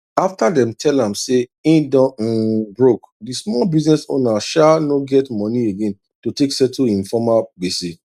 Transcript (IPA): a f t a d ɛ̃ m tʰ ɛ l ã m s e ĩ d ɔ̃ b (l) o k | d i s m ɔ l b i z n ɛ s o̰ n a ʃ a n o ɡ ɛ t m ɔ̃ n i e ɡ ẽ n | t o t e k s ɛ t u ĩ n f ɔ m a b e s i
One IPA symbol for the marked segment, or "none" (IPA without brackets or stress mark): ɹ